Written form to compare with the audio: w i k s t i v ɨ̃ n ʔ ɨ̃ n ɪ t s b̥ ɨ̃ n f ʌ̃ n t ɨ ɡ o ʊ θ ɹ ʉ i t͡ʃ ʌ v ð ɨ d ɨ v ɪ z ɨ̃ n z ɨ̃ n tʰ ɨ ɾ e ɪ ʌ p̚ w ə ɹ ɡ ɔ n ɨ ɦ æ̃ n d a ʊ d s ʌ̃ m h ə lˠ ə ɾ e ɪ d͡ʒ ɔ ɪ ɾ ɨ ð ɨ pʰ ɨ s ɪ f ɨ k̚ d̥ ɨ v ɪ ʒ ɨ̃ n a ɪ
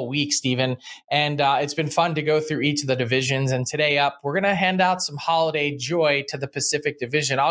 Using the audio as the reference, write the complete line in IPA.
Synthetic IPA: w i k s t i v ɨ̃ n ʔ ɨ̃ n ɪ t s b̥ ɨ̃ n f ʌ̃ n t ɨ ɡ o ʊ θ ɹ ʉ i t͡ʃ ʌ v ð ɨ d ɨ v ɪ ʒ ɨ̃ n z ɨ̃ n tʰ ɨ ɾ e ɪ ʌ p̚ w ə ɹ ɡ ʌ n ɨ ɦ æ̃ n d a ʊ t s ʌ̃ m h ɑ lˠ ə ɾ e ɪ d͡ʒ ɔ ɪ ɾ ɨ ð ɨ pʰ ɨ s ɪ f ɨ k̚ d̥ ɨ v ɪ ʒ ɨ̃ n a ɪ